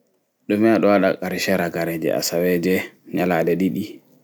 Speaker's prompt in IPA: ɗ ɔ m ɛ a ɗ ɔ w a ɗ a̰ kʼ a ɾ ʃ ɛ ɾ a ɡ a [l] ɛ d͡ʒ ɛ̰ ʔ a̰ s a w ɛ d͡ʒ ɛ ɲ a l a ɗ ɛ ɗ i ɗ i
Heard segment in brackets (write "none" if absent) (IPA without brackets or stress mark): ɾ